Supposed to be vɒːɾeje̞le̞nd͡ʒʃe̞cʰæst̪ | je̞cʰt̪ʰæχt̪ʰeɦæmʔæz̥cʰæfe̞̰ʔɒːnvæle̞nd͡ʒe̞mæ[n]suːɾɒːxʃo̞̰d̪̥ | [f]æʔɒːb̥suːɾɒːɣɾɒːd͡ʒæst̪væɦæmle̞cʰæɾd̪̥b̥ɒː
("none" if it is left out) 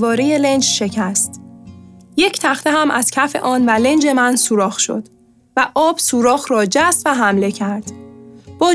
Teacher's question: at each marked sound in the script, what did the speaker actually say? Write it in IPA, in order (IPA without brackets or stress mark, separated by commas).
n, v